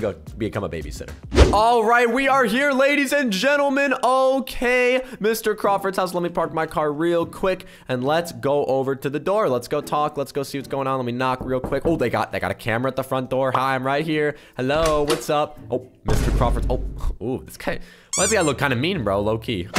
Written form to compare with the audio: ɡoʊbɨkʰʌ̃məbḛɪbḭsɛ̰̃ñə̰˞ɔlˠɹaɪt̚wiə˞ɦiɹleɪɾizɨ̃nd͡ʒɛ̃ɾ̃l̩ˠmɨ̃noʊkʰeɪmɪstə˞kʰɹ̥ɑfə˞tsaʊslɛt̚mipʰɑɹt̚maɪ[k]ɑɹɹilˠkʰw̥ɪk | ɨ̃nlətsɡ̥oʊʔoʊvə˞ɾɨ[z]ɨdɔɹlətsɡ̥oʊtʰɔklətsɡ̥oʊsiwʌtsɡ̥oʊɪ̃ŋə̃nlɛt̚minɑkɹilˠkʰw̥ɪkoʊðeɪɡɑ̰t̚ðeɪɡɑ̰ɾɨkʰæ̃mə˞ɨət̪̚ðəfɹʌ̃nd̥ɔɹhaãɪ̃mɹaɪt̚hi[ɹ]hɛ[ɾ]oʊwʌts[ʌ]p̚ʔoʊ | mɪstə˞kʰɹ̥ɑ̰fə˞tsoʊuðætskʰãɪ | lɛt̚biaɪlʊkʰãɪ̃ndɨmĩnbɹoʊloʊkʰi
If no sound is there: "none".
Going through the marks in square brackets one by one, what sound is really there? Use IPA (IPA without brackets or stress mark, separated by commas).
kʰ, ð, ɹ, l, ʌ